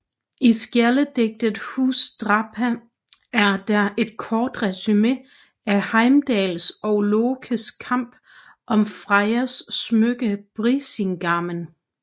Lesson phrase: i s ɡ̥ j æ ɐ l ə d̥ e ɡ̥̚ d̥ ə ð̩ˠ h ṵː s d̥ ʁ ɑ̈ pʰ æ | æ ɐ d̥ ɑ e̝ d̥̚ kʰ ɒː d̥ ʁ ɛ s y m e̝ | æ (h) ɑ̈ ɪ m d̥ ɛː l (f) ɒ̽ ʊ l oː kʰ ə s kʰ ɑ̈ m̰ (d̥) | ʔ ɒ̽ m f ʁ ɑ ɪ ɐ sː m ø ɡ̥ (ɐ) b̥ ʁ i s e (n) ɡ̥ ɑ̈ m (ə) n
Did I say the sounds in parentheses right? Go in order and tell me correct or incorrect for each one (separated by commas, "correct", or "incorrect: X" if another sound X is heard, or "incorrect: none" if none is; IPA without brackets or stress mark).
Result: correct, incorrect: s, incorrect: b̥, incorrect: ə, incorrect: ŋ, correct